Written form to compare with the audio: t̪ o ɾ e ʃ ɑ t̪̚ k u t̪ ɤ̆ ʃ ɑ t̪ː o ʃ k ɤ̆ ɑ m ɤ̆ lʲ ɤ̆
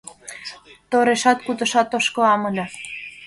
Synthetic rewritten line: t̪ o ɾ e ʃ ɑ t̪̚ k u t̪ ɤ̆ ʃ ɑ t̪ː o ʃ k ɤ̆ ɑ m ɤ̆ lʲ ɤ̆